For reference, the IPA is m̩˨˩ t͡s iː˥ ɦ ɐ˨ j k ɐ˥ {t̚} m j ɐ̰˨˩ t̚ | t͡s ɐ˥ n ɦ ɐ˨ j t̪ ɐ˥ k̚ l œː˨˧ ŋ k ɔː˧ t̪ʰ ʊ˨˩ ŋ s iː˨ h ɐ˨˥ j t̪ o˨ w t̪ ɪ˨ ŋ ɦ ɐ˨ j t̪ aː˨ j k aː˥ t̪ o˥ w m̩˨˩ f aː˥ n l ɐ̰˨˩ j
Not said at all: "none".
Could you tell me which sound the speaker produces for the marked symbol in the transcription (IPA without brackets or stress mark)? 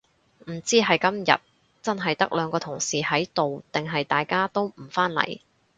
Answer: none